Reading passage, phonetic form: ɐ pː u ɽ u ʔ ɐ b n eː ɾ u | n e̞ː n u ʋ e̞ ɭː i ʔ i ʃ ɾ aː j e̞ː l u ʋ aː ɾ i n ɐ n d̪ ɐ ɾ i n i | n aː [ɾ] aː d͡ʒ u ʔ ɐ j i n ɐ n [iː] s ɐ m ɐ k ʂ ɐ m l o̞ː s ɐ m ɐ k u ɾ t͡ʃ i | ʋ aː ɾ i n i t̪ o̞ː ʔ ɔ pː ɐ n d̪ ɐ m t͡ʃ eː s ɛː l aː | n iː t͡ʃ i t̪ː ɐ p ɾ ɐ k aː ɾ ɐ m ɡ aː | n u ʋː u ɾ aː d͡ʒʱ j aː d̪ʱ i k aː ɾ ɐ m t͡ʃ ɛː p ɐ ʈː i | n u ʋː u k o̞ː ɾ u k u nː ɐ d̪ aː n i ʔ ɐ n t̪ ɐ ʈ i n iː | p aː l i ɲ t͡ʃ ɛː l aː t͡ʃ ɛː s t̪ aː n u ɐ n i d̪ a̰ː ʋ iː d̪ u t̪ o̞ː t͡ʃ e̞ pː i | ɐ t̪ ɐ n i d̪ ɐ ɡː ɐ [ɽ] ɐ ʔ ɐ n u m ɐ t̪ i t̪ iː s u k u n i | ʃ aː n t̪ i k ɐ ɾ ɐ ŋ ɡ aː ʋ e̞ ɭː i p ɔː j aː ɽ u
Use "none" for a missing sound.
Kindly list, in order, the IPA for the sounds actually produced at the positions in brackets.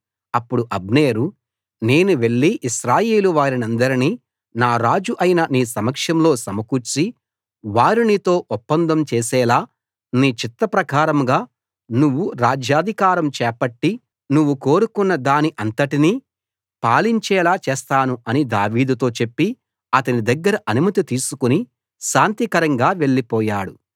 ɾ, iː, ɾ

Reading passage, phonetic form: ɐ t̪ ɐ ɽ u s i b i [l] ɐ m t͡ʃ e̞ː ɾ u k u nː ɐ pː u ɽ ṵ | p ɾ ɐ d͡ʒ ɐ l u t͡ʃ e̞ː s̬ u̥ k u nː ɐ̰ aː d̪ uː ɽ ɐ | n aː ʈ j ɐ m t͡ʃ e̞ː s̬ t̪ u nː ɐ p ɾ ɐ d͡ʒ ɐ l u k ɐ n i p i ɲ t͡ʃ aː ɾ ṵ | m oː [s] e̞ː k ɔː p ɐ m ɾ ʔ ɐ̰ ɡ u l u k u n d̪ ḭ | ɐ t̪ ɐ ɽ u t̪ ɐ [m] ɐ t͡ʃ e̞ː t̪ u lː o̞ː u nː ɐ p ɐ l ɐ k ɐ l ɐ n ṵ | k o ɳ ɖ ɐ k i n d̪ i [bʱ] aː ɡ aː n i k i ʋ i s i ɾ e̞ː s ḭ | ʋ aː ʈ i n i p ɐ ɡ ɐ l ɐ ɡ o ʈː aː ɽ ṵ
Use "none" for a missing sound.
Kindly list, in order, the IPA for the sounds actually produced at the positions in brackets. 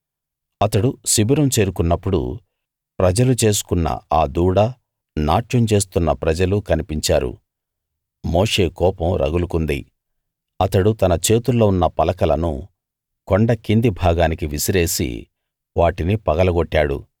ɾ, ʂ, n, bʱ

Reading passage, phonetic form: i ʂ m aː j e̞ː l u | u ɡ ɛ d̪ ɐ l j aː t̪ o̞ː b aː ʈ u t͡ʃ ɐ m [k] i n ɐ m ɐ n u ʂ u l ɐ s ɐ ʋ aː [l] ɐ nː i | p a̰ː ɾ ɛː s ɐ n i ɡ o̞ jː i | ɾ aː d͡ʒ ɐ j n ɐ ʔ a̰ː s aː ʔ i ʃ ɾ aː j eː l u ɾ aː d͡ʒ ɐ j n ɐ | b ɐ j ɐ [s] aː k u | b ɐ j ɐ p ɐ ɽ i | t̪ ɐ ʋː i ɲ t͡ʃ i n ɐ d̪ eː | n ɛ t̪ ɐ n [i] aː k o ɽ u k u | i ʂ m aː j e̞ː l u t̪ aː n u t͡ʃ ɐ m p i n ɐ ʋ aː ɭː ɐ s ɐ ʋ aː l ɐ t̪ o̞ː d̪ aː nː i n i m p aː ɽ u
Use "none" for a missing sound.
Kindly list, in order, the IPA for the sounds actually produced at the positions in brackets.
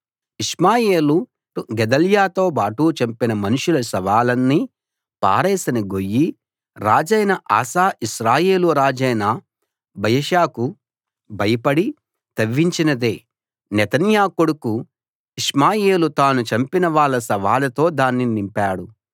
p, l, ʃ, j

